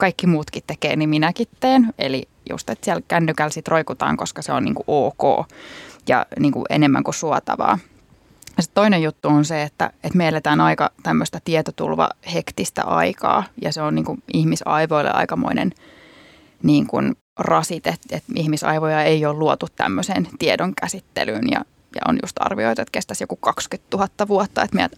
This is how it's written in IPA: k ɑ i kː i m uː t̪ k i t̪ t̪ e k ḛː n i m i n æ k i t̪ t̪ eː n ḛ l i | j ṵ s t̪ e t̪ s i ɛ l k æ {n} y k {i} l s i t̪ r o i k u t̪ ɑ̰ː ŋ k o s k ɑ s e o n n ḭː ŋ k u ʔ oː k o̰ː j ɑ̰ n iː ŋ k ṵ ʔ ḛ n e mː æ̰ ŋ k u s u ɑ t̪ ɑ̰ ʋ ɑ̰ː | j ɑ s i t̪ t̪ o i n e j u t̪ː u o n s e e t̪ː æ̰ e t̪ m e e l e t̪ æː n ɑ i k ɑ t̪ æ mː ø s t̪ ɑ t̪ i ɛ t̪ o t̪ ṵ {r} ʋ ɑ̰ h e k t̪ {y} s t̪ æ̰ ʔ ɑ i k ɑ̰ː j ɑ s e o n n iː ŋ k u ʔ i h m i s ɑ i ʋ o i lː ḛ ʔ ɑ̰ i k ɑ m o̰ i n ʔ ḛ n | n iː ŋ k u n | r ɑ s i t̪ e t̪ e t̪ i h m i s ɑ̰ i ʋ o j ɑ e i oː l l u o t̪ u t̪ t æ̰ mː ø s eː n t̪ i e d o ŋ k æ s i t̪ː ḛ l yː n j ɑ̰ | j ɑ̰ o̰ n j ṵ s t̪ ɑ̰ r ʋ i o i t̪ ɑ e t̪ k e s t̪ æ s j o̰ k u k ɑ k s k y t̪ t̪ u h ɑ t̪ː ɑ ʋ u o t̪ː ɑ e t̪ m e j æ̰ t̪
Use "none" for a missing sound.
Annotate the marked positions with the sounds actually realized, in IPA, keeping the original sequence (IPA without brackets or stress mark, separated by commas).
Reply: nː, æ, l, i